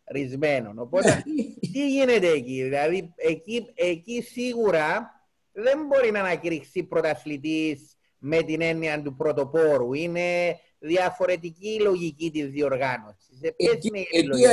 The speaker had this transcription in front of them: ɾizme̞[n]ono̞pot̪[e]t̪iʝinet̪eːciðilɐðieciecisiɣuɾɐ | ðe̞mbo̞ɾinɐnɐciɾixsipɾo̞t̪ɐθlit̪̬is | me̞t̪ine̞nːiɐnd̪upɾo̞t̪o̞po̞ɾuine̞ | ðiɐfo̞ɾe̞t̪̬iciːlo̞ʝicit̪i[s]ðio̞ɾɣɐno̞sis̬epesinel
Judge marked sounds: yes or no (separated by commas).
yes, yes, no